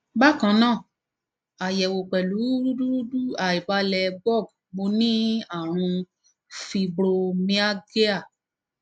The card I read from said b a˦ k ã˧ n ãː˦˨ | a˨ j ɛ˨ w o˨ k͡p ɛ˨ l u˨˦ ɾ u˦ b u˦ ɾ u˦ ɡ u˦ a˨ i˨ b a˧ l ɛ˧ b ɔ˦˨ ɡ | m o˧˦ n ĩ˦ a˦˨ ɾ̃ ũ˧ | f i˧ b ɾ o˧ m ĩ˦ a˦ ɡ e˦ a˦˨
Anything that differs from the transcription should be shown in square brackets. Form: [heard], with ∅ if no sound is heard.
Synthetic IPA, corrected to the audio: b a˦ k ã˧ n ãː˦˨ | a˨ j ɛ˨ w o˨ k͡p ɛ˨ l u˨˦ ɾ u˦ [d] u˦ ɾ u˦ [d] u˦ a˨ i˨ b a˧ l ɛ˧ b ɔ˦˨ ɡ | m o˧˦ n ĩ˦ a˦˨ ɾ̃ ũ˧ | f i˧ b ɾ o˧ m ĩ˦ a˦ ɡ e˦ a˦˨

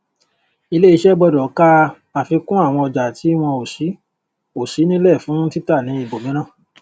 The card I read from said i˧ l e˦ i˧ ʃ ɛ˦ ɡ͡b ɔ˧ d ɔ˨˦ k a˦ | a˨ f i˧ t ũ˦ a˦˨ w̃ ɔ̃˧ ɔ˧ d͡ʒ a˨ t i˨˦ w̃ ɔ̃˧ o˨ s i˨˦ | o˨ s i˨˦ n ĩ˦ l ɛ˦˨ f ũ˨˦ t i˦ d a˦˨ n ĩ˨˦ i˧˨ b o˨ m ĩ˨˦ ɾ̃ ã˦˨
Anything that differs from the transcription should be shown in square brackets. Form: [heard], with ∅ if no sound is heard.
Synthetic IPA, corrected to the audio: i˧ l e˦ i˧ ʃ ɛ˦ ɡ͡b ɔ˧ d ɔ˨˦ k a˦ | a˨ f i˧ [k] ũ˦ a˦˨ w̃ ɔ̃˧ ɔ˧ d͡ʒ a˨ t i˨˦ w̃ ɔ̃˧ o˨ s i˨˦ | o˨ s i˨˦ n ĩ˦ l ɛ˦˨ f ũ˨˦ t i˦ [t] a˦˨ n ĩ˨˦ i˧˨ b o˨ m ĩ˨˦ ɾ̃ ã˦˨

